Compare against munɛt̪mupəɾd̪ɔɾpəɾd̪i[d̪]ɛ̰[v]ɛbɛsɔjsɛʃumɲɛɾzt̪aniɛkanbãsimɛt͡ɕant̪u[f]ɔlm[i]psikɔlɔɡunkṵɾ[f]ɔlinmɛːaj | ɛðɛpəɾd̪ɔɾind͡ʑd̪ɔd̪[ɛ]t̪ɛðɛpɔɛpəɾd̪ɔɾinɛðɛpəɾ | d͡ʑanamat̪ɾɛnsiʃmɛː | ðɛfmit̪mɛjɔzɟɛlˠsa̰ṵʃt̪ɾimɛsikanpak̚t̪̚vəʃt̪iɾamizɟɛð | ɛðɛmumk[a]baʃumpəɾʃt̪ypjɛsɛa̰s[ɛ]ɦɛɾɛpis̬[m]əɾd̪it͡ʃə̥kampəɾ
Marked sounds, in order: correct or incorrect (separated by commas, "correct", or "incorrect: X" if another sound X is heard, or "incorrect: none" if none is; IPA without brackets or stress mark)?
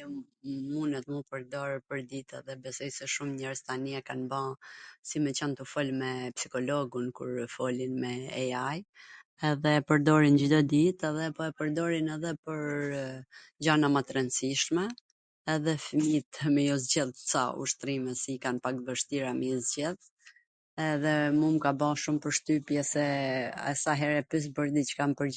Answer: incorrect: t̪, incorrect: ð, correct, incorrect: ɛ, correct, incorrect: i, correct, incorrect: a, incorrect: b